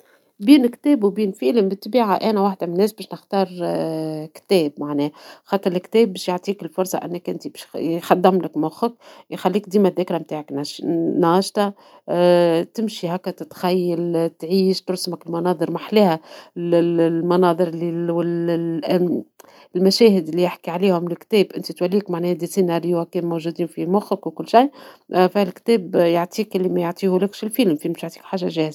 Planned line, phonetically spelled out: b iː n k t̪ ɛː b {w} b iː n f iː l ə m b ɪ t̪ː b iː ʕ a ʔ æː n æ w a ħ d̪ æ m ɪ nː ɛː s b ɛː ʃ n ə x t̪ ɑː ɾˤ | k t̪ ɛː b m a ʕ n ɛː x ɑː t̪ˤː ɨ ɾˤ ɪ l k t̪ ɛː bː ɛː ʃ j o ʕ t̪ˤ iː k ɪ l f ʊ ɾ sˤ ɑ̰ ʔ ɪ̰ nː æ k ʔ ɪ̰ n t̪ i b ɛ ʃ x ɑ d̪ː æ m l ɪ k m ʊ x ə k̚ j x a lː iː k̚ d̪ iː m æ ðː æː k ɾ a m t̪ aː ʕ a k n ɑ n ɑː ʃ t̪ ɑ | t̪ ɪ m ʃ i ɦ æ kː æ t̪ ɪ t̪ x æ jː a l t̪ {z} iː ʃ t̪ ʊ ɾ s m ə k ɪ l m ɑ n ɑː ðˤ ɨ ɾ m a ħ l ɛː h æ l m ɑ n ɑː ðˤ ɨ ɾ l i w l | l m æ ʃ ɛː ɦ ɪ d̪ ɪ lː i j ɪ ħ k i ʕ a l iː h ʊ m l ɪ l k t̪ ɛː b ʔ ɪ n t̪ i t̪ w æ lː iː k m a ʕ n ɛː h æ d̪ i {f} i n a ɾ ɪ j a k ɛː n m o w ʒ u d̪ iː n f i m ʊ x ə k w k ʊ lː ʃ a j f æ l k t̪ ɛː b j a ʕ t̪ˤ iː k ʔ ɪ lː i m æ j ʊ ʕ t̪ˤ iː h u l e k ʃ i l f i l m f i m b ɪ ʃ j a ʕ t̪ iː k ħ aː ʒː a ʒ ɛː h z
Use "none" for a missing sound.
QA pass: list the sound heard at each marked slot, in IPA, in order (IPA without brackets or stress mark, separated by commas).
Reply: w, ʕ, s